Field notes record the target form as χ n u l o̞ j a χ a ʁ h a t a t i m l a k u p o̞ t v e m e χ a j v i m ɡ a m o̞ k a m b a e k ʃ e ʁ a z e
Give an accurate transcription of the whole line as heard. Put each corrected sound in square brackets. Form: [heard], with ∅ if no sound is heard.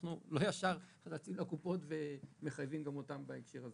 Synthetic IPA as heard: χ n u l o̞ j a [ʃ] a ʁ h a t a [t͡s] i m l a k u p o̞ t v e m e χ a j v i m ɡ a m o̞ [t] a m b a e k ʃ e ʁ a z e

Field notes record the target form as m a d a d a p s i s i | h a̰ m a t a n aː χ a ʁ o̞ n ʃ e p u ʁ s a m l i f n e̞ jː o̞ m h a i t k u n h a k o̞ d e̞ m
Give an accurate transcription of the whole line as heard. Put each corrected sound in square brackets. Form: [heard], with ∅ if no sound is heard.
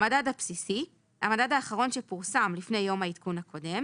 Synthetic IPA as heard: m a d a d a p s i s i | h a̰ m a [d] a [d] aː χ a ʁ o̞ n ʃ e p u ʁ s a m l i f n e̞ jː o̞ m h a i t k u n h a k o̞ d e̞ m

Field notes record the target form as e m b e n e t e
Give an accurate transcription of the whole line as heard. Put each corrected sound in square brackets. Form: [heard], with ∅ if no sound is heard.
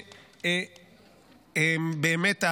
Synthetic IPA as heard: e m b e [m] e t [a]

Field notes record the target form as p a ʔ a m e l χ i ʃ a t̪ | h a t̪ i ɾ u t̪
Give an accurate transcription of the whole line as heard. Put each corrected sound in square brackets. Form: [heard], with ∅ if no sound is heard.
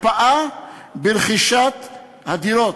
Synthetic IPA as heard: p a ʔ a [b] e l χ i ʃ a t̪ | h a [d̪] i ɾ [o] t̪

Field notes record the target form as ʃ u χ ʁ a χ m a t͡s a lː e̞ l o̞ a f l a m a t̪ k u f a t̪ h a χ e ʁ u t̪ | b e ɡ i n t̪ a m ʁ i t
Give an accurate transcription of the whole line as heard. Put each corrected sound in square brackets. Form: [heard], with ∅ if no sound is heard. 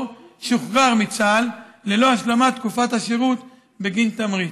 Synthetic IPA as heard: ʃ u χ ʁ a [ʁ] m [i] t͡s a lː e̞ l o̞ a [ʃ] l a m a t̪ k u f a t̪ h a [ʃ] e ʁ u t̪ | b e ɡ i n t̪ a m ʁ i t

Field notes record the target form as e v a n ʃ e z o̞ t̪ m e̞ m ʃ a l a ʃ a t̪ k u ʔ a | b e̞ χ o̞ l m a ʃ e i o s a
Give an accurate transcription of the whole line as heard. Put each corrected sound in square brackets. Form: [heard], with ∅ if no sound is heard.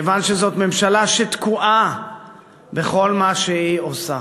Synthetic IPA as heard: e v a n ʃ e z o̞ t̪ m e̞ m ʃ a l a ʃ [e] t̪ k u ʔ a | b e̞ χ o̞ l m a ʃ e i o s a

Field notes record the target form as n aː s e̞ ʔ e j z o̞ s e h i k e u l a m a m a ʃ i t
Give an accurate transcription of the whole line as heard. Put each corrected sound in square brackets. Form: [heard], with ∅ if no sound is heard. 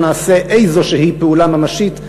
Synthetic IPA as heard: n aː s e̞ ʔ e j z o̞ [ʃ] e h i [p] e u l a m a m a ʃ i t

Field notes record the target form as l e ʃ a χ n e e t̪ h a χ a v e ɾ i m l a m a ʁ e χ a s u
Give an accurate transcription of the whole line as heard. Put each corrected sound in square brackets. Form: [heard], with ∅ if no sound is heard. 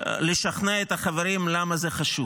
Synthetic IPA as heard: l e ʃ a χ n e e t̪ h a χ a v e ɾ i m l a m a [z] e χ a [ʃ] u

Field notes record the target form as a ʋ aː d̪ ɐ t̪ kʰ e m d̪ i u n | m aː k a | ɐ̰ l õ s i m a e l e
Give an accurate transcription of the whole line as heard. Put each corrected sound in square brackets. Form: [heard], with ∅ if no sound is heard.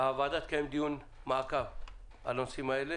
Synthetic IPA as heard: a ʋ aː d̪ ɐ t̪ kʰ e m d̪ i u n | m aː k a | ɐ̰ l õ s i m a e l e

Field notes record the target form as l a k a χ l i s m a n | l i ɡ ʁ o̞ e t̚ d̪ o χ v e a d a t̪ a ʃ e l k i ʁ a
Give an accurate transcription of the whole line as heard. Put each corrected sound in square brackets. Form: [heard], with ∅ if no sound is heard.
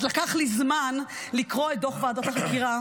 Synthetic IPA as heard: l a k a χ l i [z] m a n | l i [k] ʁ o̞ e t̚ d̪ o χ v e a d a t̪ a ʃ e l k i ʁ a

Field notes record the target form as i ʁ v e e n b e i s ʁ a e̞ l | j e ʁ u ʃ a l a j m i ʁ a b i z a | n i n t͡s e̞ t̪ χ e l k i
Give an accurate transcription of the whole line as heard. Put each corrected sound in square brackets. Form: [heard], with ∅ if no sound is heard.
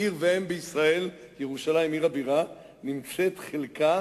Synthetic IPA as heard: i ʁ v e e [m] b e i s ʁ a e̞ l | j e ʁ u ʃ a l a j m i ʁ a b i [ʁ] a | n i [m] t͡s e̞ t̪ χ e l k [a]

